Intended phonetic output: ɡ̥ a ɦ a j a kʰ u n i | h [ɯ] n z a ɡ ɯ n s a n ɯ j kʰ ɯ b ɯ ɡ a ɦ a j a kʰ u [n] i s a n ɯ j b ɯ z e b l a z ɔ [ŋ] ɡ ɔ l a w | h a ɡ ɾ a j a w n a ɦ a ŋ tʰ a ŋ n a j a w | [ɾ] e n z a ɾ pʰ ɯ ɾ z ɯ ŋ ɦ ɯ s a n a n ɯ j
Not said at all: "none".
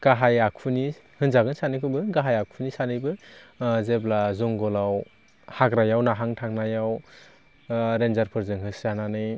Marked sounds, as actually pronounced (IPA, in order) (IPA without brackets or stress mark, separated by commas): ɯ, n, ŋ, ɾ